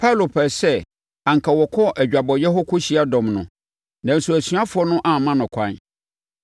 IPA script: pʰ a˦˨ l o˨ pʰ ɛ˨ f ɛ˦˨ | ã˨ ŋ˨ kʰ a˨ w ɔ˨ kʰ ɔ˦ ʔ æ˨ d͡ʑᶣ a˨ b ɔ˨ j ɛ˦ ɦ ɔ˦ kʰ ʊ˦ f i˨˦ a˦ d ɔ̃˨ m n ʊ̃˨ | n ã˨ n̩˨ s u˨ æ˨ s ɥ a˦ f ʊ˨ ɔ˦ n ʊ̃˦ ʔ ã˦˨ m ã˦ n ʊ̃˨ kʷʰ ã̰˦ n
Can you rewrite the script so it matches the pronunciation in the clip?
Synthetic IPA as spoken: pʰ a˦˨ l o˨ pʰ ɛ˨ s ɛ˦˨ | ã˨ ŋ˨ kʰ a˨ w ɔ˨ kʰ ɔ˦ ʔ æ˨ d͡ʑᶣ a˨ b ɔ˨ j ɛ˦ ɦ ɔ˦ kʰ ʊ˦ ɕ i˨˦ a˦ d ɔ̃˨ m n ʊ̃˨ | n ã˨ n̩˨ s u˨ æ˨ s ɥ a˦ f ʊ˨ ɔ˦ n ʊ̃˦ ʔ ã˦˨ m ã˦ n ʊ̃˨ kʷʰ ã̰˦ n